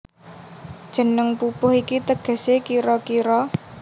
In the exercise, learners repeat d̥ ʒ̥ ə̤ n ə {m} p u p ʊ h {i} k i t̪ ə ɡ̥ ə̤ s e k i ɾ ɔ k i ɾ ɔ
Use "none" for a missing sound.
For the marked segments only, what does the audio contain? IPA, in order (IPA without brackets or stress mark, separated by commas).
ŋ, i